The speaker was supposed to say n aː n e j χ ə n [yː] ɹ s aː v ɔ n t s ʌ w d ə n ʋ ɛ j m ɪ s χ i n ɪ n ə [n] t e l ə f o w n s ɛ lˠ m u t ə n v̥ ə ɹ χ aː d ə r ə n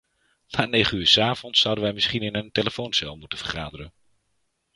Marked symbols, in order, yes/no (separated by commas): yes, yes